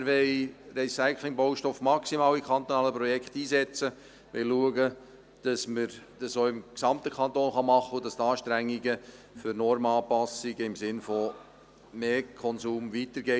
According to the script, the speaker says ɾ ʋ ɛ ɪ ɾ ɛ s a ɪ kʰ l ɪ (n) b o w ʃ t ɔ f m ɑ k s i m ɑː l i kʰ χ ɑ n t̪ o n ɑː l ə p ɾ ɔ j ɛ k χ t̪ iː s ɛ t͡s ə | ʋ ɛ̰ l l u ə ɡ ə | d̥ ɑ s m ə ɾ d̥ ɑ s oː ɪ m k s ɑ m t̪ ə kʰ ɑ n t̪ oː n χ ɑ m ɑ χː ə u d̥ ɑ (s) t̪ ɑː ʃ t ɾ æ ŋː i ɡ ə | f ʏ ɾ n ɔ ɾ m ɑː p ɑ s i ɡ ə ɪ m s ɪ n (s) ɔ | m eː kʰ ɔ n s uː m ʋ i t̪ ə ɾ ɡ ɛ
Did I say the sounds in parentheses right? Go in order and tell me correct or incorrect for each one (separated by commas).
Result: incorrect, correct, incorrect